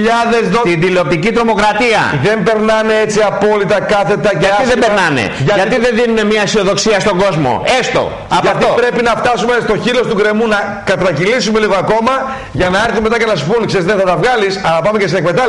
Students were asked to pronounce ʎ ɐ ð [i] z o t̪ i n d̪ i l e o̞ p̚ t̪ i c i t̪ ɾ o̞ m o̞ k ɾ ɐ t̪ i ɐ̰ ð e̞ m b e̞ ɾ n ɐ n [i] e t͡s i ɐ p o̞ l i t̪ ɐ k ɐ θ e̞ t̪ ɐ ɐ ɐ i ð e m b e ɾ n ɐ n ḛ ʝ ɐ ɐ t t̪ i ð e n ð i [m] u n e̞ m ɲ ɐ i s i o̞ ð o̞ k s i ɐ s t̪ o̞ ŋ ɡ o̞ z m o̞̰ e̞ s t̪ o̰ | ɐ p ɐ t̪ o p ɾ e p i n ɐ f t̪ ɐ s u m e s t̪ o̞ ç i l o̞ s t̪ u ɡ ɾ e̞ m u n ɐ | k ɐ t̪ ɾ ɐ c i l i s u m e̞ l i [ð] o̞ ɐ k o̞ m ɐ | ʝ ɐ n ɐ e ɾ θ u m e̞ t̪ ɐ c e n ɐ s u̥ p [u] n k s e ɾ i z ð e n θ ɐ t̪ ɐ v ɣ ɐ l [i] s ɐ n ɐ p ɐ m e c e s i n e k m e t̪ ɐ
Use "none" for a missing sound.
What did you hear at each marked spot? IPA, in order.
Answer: e, e, n, ɣ, u, i

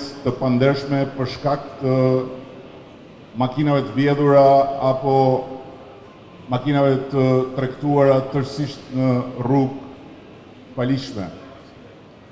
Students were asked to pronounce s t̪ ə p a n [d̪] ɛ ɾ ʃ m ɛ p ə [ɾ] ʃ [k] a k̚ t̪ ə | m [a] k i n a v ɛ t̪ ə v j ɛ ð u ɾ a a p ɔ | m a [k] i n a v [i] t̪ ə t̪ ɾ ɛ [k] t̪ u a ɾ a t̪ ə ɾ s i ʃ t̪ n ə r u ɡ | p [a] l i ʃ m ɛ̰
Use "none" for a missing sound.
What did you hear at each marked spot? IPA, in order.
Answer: d̪, ɾ, k, a, k, ɛ, k, a

